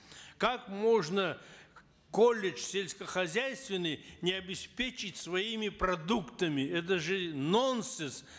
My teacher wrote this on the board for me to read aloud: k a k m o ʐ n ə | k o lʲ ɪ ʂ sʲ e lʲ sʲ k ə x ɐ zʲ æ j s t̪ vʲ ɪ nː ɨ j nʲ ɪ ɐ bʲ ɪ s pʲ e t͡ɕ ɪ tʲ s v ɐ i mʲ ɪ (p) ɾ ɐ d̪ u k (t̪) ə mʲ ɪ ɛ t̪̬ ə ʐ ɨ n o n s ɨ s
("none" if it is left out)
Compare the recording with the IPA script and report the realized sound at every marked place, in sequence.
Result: p, t̪

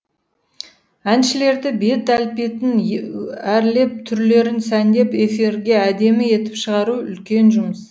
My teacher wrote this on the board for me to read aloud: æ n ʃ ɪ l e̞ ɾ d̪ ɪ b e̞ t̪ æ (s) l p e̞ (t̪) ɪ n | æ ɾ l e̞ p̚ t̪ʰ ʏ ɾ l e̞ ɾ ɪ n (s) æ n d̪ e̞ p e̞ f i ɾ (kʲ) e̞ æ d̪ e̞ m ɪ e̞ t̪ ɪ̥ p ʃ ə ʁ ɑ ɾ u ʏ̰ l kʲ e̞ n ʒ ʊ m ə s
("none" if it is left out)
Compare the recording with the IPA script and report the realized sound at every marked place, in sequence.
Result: none, t̪, s, ɡʲ

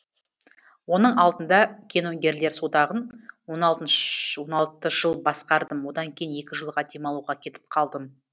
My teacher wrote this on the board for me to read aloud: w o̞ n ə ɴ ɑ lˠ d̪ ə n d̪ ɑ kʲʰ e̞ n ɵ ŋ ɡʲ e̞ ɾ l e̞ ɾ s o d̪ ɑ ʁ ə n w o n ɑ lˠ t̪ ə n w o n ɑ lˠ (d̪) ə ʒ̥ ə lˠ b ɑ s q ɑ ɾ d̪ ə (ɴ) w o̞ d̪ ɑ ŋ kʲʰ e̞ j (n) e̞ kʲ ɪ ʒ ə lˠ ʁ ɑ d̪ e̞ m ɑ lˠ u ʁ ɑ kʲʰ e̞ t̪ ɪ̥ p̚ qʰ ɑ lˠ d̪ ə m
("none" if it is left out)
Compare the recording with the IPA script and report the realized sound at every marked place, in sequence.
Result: t̪, m, n

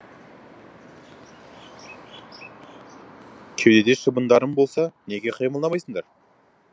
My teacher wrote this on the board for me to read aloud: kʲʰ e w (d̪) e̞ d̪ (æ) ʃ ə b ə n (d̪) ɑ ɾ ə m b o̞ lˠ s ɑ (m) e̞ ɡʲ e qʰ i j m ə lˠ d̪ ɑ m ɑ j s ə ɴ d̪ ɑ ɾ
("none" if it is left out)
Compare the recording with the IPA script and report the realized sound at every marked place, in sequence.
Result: d̪, e, d̪, n

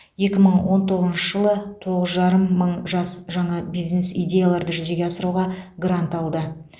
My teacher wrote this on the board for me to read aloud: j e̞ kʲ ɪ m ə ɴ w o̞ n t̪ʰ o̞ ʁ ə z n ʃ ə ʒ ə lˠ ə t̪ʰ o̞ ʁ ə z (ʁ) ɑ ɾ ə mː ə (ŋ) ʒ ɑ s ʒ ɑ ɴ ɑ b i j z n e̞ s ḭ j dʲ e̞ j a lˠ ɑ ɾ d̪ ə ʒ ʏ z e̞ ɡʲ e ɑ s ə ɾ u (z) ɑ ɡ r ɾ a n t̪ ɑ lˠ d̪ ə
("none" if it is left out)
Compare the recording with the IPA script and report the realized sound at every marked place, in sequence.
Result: ʒ, ɴ, ʁ

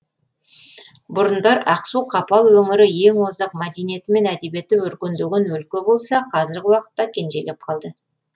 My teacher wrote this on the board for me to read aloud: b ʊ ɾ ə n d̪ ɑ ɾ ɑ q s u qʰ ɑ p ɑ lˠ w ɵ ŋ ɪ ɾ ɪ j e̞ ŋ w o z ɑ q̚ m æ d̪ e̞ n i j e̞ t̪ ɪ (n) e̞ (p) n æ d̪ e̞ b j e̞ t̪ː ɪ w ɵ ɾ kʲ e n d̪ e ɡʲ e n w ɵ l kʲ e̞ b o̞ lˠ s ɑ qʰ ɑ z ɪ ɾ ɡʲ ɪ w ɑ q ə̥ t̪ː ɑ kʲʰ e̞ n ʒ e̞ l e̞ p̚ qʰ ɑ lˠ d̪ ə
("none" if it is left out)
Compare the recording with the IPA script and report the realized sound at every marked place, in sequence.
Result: m, none

